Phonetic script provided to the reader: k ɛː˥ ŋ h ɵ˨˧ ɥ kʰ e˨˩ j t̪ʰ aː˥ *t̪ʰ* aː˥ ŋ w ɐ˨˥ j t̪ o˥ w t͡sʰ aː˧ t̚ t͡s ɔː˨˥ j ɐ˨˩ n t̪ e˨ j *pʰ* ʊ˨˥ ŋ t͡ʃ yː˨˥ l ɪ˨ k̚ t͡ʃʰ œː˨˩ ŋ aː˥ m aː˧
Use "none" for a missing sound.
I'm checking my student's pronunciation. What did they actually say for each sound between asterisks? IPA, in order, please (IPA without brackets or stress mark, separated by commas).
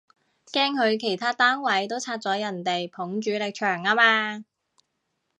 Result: t̪, pʰ